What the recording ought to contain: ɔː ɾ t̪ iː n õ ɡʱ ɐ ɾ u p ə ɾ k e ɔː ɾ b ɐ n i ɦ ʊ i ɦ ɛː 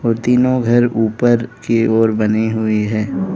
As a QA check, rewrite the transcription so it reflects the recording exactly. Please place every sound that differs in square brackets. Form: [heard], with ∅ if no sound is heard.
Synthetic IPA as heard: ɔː ɾ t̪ iː n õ ɡʱ ɐ ɾ [uː] p ə ɾ k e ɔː ɾ b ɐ n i ɦ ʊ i ɦ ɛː